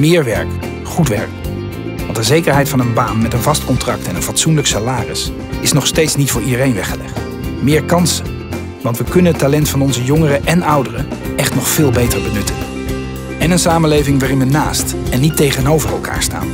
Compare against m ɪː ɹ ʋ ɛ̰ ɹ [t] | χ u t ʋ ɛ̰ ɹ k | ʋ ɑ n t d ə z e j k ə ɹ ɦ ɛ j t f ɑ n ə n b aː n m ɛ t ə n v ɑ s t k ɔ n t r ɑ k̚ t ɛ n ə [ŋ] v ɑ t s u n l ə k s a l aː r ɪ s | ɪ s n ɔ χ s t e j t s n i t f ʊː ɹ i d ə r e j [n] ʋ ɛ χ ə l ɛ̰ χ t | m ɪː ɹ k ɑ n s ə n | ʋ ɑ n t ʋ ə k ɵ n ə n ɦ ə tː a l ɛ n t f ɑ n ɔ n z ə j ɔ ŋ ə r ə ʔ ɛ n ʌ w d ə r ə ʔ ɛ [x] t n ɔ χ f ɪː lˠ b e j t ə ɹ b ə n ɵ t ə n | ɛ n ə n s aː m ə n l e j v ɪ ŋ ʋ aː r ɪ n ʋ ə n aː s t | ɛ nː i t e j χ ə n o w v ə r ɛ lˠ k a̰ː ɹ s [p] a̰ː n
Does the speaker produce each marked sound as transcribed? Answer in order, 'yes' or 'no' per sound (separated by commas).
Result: no, no, yes, no, no